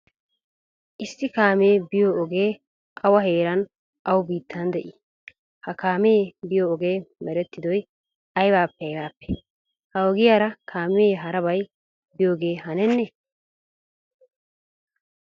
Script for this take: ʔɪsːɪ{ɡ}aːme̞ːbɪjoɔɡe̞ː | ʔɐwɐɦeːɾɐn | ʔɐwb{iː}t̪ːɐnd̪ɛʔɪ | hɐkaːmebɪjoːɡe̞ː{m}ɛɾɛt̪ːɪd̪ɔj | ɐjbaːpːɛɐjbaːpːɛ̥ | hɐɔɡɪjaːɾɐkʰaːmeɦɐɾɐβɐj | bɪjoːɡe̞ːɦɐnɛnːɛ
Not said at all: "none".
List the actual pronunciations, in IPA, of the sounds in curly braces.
k, iː, m

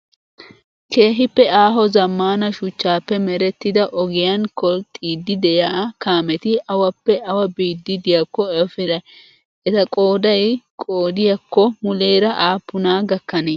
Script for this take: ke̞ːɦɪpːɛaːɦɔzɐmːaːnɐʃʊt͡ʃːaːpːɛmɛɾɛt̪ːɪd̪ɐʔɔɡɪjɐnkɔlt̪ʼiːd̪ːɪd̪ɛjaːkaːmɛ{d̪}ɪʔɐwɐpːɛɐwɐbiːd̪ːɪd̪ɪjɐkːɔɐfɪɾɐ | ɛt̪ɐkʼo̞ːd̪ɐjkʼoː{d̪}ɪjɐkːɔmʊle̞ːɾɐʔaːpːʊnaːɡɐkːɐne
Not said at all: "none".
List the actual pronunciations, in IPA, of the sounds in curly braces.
t̪, d̪

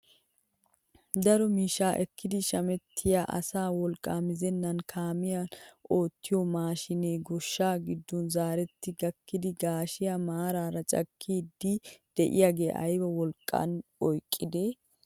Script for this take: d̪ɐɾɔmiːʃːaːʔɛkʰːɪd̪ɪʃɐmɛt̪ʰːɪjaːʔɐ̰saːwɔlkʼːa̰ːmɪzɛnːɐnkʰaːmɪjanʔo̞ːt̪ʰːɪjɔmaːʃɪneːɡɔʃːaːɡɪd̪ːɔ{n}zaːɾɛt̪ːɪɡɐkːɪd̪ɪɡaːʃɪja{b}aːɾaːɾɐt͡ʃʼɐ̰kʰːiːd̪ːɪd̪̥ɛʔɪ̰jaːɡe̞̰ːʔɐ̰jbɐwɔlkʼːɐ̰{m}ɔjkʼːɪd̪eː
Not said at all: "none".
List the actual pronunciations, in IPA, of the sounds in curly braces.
n, m, n

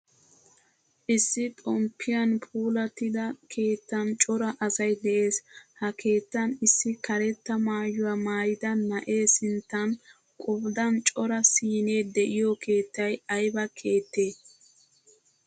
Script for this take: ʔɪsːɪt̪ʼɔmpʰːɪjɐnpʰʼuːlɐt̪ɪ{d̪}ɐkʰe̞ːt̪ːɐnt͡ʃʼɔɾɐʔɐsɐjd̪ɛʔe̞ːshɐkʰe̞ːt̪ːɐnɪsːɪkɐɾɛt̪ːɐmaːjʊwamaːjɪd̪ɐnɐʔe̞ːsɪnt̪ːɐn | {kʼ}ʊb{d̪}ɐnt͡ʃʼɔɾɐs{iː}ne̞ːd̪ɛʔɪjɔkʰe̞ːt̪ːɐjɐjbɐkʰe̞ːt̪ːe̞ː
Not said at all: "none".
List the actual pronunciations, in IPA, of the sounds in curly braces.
d̪, kʼ, d̪, iː

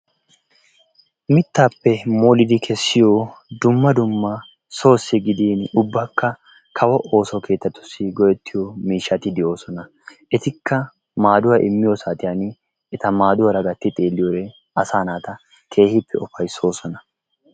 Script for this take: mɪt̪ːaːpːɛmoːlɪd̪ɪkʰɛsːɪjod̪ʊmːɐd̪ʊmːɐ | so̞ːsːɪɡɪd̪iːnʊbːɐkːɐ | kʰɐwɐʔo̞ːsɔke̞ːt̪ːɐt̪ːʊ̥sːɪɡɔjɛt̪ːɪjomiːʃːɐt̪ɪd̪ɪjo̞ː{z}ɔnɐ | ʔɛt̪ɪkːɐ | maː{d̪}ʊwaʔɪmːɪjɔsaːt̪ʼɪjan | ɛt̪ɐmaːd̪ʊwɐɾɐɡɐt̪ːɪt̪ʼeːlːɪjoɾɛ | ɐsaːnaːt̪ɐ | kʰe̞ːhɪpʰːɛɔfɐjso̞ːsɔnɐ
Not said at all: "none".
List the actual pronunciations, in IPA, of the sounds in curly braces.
s, d̪

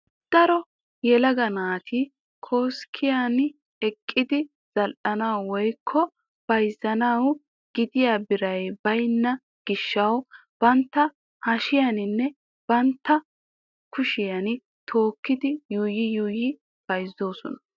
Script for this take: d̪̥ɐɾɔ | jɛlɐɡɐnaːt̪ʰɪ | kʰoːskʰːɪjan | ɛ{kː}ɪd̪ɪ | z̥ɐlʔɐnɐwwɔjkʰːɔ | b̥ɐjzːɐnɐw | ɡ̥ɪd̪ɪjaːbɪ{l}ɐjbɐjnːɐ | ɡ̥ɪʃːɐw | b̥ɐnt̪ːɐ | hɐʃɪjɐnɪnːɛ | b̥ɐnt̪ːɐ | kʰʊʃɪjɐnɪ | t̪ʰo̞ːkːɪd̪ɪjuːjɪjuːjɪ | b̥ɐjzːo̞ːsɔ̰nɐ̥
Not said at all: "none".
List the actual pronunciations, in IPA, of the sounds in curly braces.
kʼː, ɾ

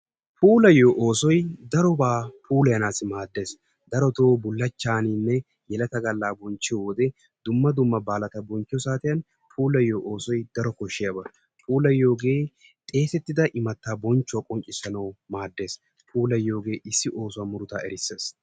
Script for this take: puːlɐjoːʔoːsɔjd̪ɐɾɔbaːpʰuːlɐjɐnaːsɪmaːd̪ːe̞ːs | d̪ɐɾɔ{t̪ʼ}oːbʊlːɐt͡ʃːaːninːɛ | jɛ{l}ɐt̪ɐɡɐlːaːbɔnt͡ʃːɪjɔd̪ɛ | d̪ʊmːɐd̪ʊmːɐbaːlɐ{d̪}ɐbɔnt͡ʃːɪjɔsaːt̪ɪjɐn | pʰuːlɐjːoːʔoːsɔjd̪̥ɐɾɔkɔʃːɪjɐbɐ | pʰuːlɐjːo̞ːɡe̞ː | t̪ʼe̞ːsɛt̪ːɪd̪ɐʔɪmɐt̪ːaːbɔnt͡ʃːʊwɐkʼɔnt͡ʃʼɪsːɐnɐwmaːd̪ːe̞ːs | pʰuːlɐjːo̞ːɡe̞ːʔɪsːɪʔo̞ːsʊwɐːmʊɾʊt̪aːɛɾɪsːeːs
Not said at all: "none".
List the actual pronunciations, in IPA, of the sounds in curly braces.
t̪, l, t̪

